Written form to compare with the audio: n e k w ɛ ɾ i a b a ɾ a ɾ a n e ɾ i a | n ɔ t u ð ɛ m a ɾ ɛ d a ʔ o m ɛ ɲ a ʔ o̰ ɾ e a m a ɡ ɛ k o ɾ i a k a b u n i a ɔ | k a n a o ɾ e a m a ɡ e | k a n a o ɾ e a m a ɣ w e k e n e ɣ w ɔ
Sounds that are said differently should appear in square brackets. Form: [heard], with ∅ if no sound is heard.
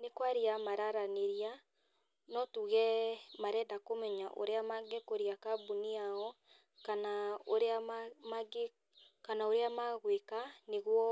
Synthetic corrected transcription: n e k w [a] ɾ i a [m] a ɾ a ɾ a n e ɾ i a | n ɔ t u [ɣ] ɛ m a ɾ ɛ d a [k] o m ɛ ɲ a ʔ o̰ ɾ e a m a ɡ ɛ k o ɾ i a k a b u n i a ɔ | k a n a o ɾ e a m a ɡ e | k a n a o ɾ e a m a ɣ w e k [a] n e ɣ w ɔ